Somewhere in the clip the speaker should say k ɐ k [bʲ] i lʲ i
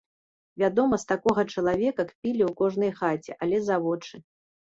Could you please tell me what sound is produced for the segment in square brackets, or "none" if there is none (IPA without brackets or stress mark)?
pʲ